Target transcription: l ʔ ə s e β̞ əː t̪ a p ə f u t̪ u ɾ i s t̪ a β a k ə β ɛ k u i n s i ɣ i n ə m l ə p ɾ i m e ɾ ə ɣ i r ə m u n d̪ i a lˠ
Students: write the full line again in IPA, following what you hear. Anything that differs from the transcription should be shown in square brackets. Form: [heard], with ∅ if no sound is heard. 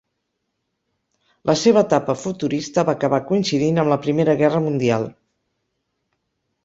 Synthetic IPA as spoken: l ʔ ə s e β̞ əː t̪ a p ə f u t̪ u ɾ i s t̪ [ə] β a k ə β [a] k u i n s i [ð] i n ə m l ə p ɾ i m e ɾ ə ɣ [ɛ] r ə m u n d̪ i a lˠ